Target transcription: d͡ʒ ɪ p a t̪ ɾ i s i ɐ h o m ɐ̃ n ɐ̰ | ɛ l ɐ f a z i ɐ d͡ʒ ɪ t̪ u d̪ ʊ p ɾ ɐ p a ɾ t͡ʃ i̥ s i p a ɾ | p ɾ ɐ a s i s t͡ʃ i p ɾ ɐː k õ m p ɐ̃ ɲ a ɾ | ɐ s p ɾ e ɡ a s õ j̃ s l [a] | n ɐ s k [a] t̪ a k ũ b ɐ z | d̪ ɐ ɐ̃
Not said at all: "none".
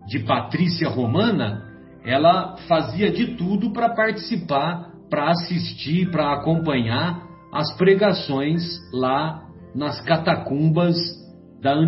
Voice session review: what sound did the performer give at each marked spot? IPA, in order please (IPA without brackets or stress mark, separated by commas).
a, a